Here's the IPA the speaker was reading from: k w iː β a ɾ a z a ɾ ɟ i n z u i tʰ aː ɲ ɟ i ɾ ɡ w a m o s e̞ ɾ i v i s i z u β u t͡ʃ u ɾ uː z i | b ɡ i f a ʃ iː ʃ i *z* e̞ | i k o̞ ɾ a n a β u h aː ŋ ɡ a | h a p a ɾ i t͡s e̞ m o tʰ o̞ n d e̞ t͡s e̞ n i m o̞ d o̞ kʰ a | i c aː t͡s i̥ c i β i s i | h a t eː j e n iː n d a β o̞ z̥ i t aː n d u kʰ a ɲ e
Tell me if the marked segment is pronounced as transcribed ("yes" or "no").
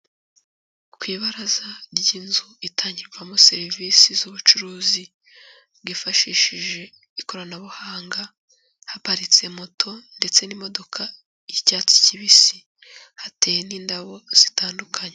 no